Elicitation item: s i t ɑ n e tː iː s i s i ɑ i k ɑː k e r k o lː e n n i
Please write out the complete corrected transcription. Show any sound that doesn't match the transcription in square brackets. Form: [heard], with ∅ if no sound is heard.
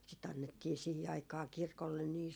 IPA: s i t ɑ [nː] e tː iː s i [h] i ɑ i k ɑː k [i] r k o lː e n n [iː]